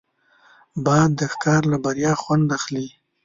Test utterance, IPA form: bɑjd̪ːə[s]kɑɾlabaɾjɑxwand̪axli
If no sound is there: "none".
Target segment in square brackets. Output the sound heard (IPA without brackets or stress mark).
x